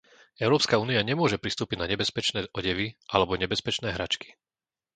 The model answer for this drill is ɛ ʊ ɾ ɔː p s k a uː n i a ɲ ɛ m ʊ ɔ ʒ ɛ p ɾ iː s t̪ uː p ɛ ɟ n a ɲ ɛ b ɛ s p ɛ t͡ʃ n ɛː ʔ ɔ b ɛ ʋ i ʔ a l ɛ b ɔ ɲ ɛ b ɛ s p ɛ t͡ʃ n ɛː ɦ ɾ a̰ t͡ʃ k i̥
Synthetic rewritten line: ɛ ʊ ɾ ɔː p s k a uː n i a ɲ ɛ m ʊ ɔ ʒ ɛ p ɾ i s t̪ uː p i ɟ n a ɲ ɛ b ɛ s p ɛ t͡ʃ n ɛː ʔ ɔ ɟ ɛ ʋ i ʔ a l ɛ b ɔ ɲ ɛ b ɛ s p ɛ t͡ʃ n ɛː ɦ ɾ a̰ t͡ʃ k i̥